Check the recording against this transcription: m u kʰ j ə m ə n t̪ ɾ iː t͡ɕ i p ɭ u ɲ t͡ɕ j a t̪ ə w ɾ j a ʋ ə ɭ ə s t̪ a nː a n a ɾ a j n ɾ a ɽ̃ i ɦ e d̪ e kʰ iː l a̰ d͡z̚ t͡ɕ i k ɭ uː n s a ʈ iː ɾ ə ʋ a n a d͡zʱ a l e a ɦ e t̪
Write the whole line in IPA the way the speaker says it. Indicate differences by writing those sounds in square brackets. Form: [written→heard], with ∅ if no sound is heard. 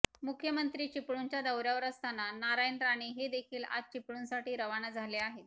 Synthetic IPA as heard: m u kʰ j ə m ə n t̪ ɾ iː t͡ɕ i p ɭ u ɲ t͡ɕ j a [t̪→d̪] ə w ɾ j a ʋ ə [ɭ→ɾ] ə s t̪ a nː a n a ɾ a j n ɾ a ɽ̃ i ɦ e d̪ e kʰ iː l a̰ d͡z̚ t͡ɕ i [k→p] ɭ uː n s a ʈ iː ɾ ə ʋ a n a d͡zʱ a l e a ɦ e t̪